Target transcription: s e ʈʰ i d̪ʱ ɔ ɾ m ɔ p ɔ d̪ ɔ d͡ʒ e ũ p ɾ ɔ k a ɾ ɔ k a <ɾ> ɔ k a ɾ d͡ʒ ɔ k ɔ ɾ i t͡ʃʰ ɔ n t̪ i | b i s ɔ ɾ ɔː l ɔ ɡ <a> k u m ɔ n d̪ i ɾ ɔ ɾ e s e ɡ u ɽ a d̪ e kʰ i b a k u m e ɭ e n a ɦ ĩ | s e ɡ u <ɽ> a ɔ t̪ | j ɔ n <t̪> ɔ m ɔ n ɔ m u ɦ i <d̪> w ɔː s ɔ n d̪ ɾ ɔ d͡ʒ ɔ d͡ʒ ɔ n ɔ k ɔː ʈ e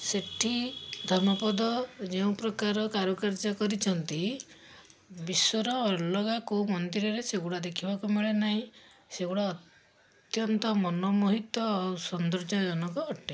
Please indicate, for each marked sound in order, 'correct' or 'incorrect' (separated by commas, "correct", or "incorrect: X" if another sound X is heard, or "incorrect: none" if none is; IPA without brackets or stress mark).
correct, correct, correct, correct, incorrect: t̪